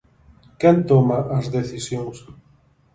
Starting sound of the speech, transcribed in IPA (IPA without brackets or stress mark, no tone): k